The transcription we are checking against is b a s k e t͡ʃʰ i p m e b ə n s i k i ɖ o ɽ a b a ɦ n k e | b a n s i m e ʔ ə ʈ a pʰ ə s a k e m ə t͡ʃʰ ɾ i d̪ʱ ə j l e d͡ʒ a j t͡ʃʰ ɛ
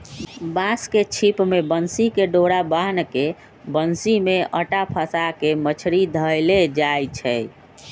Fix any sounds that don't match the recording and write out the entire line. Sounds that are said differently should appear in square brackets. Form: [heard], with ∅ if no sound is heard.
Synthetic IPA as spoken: b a s k e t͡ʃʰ i p m e b ə n s i k [e] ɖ o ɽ a b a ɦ n k e | b [ə] n s i m e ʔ ə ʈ a pʰ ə s a k e m ə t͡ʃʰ ɾ i d̪ʱ ə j l e d͡ʒ a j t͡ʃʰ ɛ